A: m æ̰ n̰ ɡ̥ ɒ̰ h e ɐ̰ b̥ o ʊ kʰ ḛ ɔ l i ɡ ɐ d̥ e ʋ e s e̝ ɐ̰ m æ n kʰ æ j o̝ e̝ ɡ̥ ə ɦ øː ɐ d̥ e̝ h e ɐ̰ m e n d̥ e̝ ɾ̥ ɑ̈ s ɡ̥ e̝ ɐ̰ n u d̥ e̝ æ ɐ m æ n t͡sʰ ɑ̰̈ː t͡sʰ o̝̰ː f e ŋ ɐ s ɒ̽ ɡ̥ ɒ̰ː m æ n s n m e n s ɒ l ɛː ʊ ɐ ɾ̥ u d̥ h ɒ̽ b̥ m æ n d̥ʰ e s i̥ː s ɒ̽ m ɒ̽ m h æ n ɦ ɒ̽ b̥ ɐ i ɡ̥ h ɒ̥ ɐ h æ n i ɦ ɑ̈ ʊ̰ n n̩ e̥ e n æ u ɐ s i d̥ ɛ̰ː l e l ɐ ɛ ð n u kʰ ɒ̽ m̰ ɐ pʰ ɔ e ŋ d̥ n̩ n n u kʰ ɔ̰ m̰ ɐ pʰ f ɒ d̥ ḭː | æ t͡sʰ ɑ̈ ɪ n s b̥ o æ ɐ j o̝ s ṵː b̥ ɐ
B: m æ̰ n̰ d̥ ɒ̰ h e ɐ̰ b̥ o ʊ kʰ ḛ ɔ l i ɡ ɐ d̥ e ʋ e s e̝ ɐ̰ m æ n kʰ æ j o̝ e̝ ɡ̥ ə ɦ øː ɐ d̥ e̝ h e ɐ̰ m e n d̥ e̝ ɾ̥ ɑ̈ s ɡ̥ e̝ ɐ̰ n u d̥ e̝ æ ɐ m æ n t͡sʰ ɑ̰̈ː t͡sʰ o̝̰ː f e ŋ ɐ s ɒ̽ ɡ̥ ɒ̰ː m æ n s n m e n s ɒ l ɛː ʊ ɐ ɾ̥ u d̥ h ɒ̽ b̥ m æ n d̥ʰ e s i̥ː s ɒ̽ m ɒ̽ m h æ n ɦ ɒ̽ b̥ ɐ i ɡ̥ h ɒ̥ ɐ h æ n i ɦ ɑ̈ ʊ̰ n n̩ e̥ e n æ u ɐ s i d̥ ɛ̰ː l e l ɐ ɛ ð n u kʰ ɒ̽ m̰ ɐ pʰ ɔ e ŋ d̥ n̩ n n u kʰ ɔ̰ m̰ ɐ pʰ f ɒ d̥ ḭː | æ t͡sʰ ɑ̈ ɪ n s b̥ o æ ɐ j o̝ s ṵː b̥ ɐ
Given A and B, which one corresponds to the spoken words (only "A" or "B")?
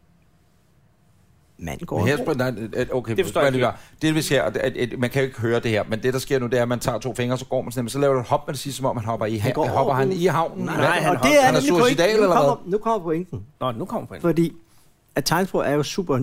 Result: A